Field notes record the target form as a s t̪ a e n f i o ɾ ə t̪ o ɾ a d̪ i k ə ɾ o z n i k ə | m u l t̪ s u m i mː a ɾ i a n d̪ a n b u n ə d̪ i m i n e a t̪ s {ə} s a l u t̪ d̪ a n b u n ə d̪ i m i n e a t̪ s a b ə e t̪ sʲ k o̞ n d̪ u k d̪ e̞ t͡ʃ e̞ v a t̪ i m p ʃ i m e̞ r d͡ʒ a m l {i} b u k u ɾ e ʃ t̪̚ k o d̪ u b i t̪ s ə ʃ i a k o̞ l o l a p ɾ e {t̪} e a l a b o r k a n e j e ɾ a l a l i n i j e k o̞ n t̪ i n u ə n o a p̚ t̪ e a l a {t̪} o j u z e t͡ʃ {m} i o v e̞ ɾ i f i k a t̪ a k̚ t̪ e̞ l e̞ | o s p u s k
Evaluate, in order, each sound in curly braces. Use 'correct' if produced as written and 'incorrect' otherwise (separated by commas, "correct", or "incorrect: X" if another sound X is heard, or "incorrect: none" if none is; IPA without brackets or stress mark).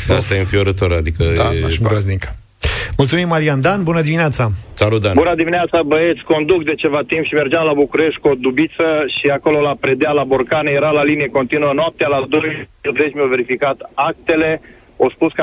incorrect: a, incorrect: a, incorrect: d̪, incorrect: d̪, correct